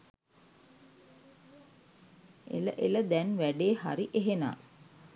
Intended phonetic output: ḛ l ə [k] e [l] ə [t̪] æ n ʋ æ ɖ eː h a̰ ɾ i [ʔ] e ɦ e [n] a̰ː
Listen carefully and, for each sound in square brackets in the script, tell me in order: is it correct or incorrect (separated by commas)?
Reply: incorrect, correct, incorrect, correct, correct